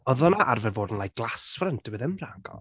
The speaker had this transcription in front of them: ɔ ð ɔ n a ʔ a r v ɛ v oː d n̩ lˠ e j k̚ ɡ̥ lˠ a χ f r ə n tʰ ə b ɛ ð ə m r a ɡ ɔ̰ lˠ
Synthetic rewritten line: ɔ ð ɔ n a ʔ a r v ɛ v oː d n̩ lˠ a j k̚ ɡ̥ lˠ a s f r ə n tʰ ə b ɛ ð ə m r a ɡ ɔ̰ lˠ